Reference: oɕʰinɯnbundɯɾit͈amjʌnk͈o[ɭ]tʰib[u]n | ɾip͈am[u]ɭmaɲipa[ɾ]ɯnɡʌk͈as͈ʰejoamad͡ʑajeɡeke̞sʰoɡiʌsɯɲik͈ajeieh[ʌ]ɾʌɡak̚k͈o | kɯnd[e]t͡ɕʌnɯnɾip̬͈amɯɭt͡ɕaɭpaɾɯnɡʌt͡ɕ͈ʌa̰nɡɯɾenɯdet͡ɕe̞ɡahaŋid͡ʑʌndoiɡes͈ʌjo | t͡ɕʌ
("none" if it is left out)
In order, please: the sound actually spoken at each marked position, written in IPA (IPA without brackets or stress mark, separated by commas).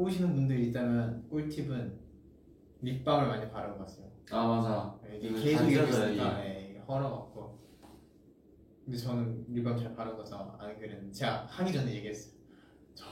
ɭ, ɯ, ɯ, ɾ, ʌ, e